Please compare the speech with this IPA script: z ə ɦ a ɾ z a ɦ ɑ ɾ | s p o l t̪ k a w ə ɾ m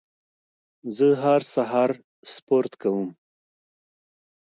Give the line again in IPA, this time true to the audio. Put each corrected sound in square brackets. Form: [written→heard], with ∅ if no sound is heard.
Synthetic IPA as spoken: z ə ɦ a ɾ [z→s] a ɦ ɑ ɾ | s p o [l→ɾ] t̪ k a w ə [ɾ→∅] m